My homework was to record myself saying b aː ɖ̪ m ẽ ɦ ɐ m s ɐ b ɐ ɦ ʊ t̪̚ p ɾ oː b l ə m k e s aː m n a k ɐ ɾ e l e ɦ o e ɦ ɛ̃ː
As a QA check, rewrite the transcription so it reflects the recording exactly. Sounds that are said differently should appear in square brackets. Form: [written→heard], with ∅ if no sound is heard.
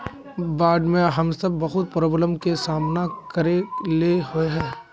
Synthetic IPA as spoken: b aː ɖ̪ m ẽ ɦ ɐ m s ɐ [b→bː] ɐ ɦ ʊ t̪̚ p ɾ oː b l ə m k e s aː m n a k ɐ ɾ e l e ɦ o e ɦ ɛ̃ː

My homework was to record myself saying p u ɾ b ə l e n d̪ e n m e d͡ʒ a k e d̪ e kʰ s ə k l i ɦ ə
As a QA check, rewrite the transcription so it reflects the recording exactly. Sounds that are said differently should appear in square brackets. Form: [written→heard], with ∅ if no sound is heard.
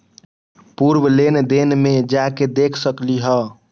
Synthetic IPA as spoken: p u ɾ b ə l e n d̪ e n m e d͡ʒ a k e d̪ e kʰ s ə k l i ɦ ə

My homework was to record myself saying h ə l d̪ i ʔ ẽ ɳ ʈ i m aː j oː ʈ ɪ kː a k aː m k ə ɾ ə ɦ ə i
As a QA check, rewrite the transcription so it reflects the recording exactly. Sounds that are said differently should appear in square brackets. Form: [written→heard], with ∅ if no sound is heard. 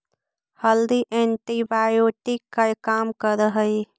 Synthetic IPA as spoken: h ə l d̪ i ʔ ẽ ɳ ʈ i [m→b] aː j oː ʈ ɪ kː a k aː m k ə ɾ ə ɦ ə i

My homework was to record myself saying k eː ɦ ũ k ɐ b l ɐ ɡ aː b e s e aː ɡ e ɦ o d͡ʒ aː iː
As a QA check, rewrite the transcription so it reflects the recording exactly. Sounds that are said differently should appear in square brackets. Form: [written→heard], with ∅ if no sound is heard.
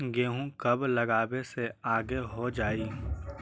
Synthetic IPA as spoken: [k→ɡ] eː ɦ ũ k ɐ b l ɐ ɡ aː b e s e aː ɡ e ɦ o d͡ʒ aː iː

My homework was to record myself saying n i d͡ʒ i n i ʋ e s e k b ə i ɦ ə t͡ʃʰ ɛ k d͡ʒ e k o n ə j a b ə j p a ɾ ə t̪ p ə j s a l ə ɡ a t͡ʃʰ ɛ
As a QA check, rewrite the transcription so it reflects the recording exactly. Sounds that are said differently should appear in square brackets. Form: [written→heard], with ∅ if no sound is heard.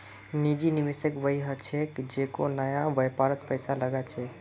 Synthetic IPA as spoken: n i d͡ʒ i n i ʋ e s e k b ə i ɦ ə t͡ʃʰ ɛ k d͡ʒ e k o n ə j a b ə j p a ɾ ə t̪ p ə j s a l ə ɡ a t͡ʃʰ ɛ

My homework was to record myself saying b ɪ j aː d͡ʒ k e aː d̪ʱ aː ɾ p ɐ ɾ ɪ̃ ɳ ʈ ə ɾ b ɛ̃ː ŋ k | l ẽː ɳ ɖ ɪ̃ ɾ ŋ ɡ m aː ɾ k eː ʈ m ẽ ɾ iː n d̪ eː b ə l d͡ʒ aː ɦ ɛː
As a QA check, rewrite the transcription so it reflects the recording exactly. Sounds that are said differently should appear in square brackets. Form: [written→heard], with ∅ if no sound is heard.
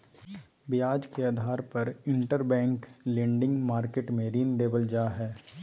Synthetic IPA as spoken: b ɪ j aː d͡ʒ k e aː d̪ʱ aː ɾ p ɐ ɾ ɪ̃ ɳ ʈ ə ɾ b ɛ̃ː ŋ k | l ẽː ɳ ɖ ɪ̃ [ɾ→∅] ŋ ɡ m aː ɾ k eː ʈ m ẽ ɾ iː n d̪ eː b ə l d͡ʒ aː ɦ ɛː

